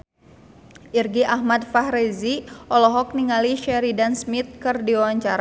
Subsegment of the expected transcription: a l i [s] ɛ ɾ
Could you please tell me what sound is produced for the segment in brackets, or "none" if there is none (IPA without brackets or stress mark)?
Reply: ʃ